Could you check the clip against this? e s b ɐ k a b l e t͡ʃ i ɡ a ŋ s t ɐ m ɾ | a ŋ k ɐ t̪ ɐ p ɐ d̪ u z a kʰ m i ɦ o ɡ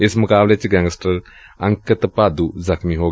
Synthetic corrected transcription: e s m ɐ k a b l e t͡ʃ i ɡ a ŋ s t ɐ ɾ | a ŋ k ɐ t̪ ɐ p a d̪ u z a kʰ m i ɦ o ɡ

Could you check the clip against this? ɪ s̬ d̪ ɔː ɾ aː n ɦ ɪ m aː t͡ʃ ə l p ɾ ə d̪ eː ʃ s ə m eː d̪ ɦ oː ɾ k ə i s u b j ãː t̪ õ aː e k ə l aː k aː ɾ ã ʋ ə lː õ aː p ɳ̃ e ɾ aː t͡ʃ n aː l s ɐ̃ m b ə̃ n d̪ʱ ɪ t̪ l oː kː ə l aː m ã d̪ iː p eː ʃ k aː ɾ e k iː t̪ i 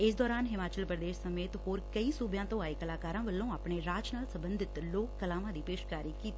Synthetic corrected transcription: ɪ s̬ d̪ ɔː ɾ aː n ɦ ɪ m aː t͡ʃ ə l p ɾ ə d̪ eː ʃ s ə m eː t̪ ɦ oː ɾ k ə i s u b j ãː t̪ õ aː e k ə l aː k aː ɾ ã ʋ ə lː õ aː p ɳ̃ e ɾ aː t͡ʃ n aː l s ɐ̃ m b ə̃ n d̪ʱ ɪ t̪ l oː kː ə l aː m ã d̪ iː p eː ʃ k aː ɾ i k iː t̪ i

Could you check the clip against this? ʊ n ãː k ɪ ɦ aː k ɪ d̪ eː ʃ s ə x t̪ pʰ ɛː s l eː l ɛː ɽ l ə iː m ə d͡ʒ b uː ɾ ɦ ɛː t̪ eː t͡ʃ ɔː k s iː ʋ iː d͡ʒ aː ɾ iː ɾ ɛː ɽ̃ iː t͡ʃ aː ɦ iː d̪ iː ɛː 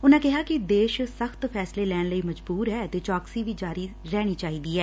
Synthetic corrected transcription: ʊ n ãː k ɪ ɦ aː k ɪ d̪ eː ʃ s ə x t̪ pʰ ɛː s l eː l ɛː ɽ l ə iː m ə d͡ʒ b uː ɾ ɦ ɛː t̪ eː t͡ʃ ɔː k s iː ʋ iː d͡ʒ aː ɾ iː ɾ ɛː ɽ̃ iː t͡ʃ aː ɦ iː d̪ iː ɛː

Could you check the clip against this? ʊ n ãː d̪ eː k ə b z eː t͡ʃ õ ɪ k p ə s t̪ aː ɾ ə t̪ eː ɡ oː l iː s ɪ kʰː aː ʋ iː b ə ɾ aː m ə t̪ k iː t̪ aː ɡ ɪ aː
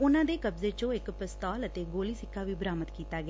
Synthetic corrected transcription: ʊ n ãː d̪ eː k ə b z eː t͡ʃ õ ɪ k p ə s t̪ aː l ə t̪ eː ɡ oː l iː s ɪ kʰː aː ʋ iː b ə ɾ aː m ə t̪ k iː t̪ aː ɡ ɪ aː

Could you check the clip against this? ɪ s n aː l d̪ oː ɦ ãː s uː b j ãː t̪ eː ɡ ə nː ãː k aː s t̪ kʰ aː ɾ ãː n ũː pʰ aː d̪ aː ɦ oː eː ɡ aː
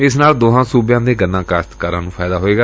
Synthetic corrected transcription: ɪ s n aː l d̪ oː ɦ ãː s uː b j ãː d̪ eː ɡ ə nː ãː k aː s t̪ k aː ɾ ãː n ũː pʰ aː d̪ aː ɦ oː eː ɡ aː

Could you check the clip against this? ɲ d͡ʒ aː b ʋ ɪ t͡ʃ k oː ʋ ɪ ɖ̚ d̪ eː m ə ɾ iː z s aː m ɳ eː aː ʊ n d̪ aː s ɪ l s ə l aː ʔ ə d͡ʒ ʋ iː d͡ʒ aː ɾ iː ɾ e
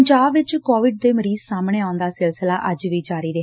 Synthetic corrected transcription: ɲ d͡ʒ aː b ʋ ɪ t͡ʃ k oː ʋ ɪ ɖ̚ d̪ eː m ə ɾ iː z s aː m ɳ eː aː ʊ n d̪ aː s ɪ l s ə l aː ʔ ə d͡ʒ ʋ iː d͡ʒ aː ɾ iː ɾ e

